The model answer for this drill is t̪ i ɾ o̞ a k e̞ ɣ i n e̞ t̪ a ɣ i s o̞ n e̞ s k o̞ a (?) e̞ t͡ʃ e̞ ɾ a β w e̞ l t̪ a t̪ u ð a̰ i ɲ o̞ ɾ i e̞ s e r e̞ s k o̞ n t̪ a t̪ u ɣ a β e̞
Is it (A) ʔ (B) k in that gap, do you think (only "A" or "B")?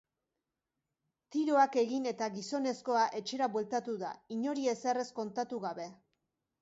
A